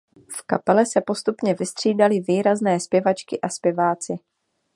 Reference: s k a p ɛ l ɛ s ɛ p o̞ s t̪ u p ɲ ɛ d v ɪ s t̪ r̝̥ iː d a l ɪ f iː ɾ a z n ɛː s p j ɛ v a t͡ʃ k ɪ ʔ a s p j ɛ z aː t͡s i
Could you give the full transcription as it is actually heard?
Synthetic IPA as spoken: f k a p ɛ l ɛ s ɛ p o̞ s t̪ u p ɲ ɛ v ɪ s t̪ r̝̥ iː d a l ɪ v iː ɾ a z n ɛː s p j ɛ v a t͡ʃ k ɪ ʔ a s p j ɛ v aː t͡s ɪ